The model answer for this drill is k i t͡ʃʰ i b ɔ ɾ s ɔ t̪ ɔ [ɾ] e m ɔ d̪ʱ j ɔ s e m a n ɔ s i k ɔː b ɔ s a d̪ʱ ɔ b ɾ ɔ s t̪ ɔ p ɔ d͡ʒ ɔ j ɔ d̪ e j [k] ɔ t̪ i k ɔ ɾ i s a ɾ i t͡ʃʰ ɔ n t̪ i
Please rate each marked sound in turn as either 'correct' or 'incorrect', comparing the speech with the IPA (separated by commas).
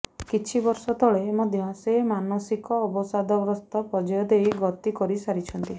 incorrect, incorrect